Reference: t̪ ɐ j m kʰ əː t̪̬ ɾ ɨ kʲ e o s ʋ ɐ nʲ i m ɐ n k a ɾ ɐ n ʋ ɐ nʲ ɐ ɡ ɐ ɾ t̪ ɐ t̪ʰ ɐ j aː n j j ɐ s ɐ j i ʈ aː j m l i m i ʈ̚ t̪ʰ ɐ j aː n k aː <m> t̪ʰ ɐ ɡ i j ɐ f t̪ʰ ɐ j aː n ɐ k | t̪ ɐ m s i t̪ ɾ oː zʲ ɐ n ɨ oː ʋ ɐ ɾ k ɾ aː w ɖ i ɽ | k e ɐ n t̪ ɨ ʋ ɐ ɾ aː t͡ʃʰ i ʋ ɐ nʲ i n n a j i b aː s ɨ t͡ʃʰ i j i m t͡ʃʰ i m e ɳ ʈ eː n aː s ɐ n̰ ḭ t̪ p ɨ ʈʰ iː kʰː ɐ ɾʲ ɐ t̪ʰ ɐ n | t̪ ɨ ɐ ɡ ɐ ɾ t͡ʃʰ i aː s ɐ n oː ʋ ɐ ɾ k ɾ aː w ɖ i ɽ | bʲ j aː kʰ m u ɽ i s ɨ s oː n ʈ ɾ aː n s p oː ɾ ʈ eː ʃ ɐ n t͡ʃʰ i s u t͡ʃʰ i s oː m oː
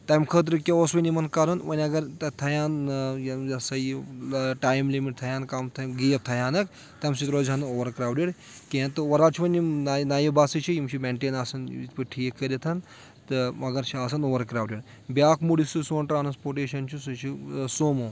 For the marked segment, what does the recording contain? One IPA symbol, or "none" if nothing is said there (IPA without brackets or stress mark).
m